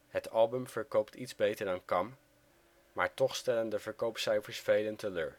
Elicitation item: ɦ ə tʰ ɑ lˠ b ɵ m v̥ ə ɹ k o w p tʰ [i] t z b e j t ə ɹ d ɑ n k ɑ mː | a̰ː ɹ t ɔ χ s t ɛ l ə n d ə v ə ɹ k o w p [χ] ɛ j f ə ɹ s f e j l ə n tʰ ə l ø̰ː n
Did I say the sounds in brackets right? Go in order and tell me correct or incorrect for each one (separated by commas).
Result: correct, incorrect